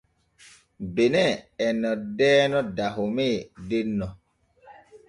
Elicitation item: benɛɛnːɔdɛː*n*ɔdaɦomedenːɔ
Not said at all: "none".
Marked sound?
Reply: n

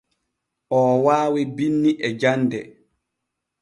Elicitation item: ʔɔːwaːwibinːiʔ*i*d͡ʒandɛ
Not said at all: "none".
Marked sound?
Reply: ɛ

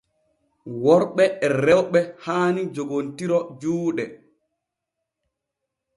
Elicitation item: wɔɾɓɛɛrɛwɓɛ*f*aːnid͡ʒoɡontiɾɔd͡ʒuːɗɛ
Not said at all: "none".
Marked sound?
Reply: h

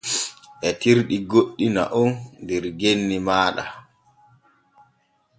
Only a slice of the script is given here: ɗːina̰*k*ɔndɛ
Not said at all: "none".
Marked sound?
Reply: ʔ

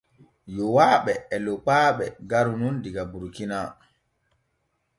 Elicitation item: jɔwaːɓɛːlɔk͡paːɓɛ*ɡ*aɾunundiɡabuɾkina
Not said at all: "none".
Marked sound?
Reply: ɡ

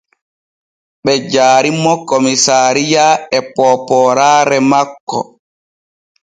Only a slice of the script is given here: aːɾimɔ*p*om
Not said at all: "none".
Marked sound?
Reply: k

